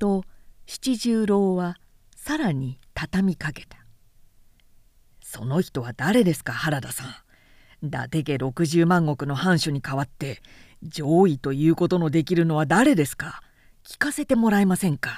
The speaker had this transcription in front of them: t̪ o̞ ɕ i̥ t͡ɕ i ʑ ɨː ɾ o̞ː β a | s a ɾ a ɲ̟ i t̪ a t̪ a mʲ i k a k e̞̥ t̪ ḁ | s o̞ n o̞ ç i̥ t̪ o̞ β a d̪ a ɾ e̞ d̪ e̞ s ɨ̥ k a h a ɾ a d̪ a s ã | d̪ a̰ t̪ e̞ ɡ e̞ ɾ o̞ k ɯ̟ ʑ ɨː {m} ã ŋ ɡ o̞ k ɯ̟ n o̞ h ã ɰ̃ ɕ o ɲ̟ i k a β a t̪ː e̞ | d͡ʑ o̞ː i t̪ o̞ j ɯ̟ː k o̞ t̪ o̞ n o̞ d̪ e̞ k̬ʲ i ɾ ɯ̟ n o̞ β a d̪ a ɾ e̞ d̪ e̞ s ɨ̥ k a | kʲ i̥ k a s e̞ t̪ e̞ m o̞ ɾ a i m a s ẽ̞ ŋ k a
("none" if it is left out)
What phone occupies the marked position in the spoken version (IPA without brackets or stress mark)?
m